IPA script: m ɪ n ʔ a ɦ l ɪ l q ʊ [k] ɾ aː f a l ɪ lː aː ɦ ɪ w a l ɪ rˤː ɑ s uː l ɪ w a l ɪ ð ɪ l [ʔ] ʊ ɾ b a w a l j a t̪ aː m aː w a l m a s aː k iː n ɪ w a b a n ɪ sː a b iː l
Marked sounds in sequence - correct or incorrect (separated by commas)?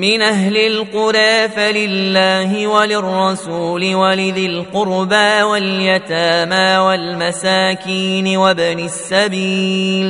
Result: incorrect, incorrect